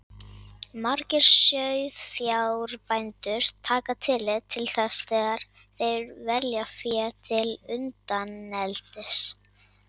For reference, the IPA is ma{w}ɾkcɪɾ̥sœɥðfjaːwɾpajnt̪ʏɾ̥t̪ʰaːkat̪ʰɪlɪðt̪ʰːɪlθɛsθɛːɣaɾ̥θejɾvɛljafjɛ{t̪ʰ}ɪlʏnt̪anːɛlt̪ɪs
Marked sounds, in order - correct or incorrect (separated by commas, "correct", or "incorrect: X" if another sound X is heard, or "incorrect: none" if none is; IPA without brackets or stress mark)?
incorrect: none, correct